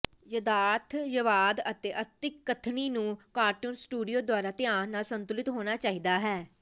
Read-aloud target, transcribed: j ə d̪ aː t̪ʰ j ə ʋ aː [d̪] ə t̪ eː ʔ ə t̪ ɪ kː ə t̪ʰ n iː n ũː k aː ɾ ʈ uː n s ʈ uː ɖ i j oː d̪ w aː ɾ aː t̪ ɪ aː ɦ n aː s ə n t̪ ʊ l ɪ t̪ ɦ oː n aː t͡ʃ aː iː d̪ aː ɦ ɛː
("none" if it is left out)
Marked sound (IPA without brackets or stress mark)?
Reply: d̪